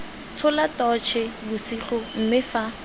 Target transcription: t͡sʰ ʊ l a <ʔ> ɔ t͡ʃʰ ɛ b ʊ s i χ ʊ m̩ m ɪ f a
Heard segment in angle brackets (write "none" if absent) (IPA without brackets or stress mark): t